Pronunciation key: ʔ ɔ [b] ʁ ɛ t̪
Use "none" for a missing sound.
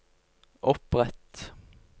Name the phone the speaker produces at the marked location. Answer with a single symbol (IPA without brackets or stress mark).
p